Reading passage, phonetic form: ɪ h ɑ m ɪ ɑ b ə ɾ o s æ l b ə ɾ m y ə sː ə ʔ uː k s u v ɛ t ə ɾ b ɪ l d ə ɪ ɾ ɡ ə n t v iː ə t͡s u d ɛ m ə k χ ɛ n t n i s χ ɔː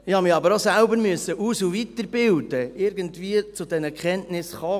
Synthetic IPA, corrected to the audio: ɪ h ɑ m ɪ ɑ b ə ɾ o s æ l b ə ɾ m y ə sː ə ʔ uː s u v i t ə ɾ b ɪ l d ə ɪ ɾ ɡ ə n t v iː ə t͡s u d ɛ n ə k χ ɛ n t n ɪ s χ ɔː